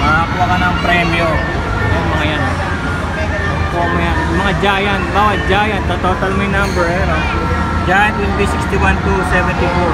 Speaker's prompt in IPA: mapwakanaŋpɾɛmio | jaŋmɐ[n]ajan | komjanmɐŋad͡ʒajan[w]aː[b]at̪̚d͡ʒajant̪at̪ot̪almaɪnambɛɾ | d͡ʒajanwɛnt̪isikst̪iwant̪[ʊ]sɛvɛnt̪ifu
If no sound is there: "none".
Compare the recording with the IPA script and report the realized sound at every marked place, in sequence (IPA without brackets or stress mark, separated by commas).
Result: ŋ, b, w, u